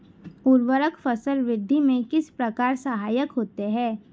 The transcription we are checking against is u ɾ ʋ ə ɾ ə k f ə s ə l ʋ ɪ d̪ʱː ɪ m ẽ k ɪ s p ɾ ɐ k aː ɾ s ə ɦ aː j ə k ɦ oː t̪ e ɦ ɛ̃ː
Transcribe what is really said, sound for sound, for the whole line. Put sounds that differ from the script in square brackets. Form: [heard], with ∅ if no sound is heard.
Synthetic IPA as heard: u ɾ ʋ ə ɾ ə k f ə s ə l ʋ ɪ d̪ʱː [i] m ẽ k ɪ s p ɾ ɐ k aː ɾ s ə ɦ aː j ə k ɦ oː t̪ e ɦ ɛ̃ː